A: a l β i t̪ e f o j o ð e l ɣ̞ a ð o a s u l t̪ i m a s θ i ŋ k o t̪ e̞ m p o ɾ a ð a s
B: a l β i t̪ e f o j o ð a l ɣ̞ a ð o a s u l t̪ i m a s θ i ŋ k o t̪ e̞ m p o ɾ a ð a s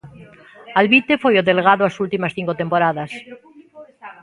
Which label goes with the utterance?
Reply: A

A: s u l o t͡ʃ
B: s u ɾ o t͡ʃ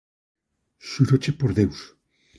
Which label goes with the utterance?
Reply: B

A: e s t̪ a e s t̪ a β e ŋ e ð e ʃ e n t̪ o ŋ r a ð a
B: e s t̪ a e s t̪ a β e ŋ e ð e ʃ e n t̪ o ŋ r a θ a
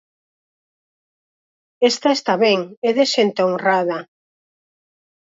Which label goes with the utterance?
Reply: A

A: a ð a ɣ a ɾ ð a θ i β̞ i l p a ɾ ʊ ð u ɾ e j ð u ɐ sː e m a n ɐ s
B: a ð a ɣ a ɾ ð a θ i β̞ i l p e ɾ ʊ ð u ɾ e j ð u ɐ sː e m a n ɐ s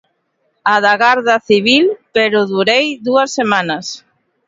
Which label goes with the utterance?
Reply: B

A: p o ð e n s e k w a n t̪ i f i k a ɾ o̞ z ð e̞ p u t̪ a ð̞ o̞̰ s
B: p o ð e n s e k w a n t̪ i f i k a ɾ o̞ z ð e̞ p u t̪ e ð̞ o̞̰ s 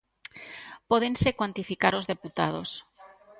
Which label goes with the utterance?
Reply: A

